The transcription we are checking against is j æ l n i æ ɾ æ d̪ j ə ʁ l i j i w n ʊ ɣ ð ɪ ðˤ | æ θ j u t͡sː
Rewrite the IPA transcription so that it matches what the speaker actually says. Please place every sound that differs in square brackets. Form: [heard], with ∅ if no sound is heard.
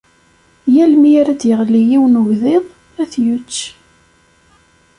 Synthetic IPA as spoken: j æ l [m] i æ ɾ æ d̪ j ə ʁ l i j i w n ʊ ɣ ð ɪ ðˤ | æ θ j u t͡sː